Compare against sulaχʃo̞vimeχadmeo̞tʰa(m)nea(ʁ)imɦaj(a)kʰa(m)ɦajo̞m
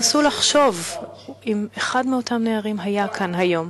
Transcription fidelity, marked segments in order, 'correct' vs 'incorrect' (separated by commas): correct, correct, correct, incorrect